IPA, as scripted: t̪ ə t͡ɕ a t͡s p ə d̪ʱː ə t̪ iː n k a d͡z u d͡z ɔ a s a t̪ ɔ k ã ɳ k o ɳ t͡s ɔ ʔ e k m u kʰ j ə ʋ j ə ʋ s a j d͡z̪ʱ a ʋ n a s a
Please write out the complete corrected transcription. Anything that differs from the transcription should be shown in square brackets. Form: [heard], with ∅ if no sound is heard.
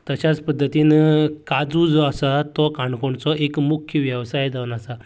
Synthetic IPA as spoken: t̪ ə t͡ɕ a t͡s p ə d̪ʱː ə t̪ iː n k a d͡z u d͡z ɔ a s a t̪ ɔ k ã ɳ k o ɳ t͡s ɔ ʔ e k m u kʰ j ə ʋ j ə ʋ s a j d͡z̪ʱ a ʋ n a s a